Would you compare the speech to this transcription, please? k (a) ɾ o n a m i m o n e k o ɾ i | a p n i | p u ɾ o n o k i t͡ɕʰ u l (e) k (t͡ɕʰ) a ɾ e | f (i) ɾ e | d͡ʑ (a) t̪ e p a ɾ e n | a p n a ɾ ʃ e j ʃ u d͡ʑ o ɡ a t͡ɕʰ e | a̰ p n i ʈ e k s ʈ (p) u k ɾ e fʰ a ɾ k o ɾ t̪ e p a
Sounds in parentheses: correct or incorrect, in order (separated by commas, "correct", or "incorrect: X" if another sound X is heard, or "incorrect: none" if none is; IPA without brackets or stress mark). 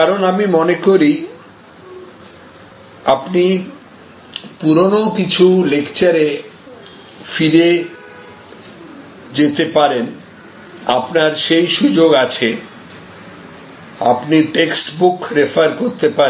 correct, correct, incorrect: t͡ɕ, correct, incorrect: e, incorrect: b